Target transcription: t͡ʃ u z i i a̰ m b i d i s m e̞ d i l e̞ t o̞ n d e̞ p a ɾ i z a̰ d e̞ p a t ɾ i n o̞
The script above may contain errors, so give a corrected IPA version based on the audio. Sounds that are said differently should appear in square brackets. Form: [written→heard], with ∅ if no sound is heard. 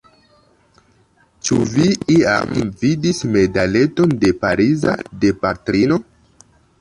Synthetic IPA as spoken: t͡ʃ u [z→v] i i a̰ m [b→v] i d i s m e̞ d [i→a] l e̞ t o̞ n d e̞ p a ɾ i z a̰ d e̞ p a t ɾ i n o̞